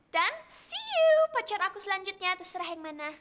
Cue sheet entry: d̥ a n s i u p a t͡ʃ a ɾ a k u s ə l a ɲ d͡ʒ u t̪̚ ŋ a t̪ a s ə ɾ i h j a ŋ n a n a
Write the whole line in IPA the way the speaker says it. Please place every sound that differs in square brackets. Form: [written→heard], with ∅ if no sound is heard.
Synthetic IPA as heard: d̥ a n s i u p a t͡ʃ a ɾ a k u s ə l a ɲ d͡ʒ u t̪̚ [ŋ→ɲ] a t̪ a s ə ɾ [i→a] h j a ŋ [n→m] a n a

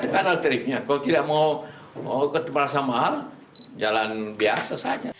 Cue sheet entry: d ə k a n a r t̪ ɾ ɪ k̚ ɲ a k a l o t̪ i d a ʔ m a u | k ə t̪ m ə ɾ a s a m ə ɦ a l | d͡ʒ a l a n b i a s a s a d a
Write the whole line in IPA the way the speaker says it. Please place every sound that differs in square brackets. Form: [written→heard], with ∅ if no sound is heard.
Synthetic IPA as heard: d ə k a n a [r→l] t̪ ɾ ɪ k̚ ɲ a k a l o t̪ i d a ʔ m a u | k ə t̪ m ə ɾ a s a m [ə→a] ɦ a l | d͡ʒ a l a n b i a s a s a [d→d͡ʒ] a

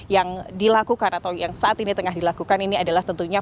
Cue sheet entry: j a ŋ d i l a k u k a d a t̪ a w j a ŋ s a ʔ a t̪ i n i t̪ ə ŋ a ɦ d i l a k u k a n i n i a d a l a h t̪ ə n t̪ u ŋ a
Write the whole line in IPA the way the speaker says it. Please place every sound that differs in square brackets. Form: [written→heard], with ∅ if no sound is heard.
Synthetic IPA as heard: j a ŋ d i l a k u k a [d→n] a t̪ a w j a ŋ s a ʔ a t̪ i n i t̪ ə ŋ a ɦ d i l a k u k a n i n i a d a l a h t̪ ə n t̪ u [ŋ→ɲ] a

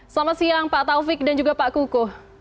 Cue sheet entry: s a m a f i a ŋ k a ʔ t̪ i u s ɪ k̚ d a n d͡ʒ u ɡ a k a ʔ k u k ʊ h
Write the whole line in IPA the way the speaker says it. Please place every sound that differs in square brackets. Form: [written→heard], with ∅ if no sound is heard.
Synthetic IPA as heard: s a m a [f→s] i a ŋ [k→p] a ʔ t̪ [i→a] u [s→f] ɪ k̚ d a n d͡ʒ u ɡ a [k→p] a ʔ k u k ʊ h

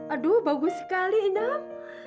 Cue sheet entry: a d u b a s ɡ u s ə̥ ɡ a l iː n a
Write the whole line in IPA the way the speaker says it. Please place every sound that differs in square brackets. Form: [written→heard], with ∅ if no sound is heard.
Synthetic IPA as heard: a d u b a [s→∅] ɡ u s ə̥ [ɡ→k] a l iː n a

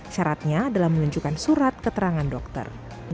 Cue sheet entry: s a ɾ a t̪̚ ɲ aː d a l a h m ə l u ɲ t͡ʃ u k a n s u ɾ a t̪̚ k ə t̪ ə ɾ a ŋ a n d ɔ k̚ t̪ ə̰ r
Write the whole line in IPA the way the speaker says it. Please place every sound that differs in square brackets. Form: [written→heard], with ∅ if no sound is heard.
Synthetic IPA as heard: [s→ʃ] a ɾ a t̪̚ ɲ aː d a l a h m ə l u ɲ t͡ʃ u k a n s u ɾ a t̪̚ k ə t̪ ə ɾ a ŋ a n d ɔ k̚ t̪ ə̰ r

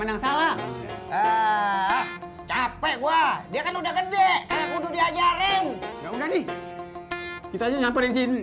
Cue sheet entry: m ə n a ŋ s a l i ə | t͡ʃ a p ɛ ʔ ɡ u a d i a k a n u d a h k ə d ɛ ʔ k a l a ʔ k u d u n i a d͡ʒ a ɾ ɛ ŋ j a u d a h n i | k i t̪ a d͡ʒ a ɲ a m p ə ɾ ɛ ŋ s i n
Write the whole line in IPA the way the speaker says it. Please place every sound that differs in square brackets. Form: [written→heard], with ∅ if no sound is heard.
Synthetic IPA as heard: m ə n a ŋ s a l [i→a] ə | t͡ʃ a p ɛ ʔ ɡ u a d i a k a n u d a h k ə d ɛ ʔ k a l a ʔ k u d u [n→d] i a d͡ʒ a ɾ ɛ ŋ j a u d a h n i | k i t̪ a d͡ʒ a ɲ a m p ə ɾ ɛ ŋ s i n

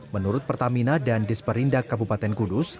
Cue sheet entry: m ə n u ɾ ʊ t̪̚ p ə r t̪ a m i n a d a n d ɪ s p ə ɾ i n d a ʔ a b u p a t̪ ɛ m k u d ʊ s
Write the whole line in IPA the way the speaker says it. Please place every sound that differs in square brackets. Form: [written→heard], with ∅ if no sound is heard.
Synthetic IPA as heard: m ə n u ɾ ʊ t̪̚ p ə r t̪ a m i n a d a n d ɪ s p ə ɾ i n d a [ʔ→k] a b u p a t̪ ɛ [m→n] k u d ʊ s

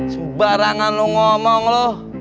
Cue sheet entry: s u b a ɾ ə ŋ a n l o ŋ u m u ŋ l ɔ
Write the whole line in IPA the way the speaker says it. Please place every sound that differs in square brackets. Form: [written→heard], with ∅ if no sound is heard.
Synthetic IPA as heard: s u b a ɾ [ə→a] ŋ a n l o ŋ [u→ɔ] m [u→ɔ] ŋ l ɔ

